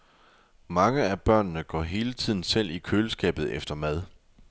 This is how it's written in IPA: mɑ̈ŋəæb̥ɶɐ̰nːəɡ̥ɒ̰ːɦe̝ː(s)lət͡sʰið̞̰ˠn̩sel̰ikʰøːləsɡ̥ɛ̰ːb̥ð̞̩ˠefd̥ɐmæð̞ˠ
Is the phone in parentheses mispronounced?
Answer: yes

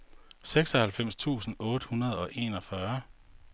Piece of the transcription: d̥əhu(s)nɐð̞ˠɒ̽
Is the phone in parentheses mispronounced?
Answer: yes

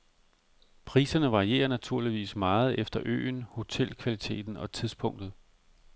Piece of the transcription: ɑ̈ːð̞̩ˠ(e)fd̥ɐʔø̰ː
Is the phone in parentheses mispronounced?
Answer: no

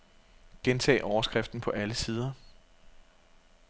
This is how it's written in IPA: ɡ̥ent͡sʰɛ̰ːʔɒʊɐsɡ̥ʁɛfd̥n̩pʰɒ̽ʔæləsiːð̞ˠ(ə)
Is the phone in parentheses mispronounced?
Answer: yes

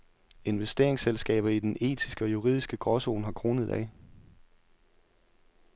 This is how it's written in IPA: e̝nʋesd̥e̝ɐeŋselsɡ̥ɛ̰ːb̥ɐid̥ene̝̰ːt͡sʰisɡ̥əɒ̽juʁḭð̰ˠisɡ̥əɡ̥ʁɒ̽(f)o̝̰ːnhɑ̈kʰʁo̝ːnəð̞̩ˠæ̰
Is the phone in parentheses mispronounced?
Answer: yes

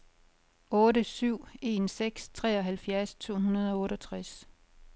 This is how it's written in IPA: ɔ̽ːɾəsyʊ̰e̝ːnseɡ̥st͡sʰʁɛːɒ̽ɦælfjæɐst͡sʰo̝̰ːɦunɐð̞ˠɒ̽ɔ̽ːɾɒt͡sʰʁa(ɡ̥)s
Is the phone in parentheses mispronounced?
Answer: yes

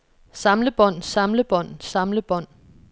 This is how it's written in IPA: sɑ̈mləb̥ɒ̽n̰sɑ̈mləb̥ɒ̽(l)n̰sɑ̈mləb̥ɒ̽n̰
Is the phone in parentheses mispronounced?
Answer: yes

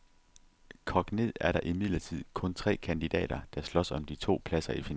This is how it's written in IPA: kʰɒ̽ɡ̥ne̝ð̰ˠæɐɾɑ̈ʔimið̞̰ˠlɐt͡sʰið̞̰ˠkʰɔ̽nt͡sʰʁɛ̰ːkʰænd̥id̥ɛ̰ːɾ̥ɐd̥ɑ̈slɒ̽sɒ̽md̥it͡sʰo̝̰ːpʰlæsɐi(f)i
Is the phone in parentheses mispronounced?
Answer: no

